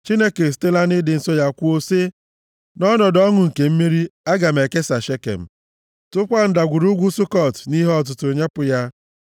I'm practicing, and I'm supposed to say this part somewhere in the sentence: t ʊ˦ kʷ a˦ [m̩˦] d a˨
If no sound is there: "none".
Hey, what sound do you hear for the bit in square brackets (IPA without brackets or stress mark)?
n̩˦